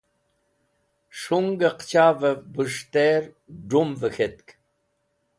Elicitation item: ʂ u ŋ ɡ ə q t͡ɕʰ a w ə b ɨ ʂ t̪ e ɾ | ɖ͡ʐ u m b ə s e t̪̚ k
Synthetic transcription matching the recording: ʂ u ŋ ɡ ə q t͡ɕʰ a v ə b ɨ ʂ t̪ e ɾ | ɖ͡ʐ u m v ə x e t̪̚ k